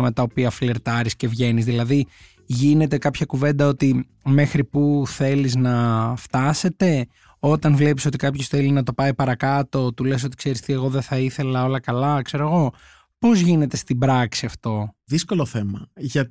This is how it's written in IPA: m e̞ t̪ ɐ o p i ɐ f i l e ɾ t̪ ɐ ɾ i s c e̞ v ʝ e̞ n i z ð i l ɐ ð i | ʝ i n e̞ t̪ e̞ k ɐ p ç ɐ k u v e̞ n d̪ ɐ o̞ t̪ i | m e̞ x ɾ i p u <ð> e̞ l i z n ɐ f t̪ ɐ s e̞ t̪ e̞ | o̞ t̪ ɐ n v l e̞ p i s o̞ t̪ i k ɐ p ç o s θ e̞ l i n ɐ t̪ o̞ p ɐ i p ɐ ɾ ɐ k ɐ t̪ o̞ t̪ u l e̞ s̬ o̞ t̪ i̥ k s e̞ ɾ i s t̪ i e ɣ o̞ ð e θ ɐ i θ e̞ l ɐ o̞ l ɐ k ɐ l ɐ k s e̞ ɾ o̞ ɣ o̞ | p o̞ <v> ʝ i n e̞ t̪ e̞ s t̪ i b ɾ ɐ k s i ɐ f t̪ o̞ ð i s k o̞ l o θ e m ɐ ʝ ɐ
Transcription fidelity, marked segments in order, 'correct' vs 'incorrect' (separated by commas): incorrect, incorrect